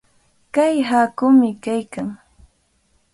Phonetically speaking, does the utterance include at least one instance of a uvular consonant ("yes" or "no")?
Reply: no